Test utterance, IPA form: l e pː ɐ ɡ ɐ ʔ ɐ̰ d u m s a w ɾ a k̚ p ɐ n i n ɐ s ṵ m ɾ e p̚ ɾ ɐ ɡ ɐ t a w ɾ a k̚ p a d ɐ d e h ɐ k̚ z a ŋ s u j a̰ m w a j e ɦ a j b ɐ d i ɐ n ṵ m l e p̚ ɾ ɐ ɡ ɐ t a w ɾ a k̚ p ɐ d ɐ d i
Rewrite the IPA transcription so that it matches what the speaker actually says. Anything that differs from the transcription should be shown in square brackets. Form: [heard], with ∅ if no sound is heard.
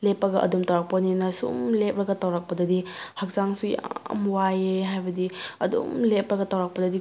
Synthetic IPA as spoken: l e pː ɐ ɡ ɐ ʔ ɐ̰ d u m [t] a w ɾ a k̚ p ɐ n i n ɐ s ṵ m [l] e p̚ ɾ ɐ ɡ ɐ t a w ɾ a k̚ p [ɐ] d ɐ d [i] h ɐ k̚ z a ŋ s u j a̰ m w a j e ɦ a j b ɐ d i ɐ [d] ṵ m l e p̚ ɾ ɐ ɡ ɐ t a w ɾ a k̚ p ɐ d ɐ d i